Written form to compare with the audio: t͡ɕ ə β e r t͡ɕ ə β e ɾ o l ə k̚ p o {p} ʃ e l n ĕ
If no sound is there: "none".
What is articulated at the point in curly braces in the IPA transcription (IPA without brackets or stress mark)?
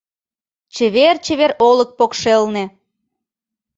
k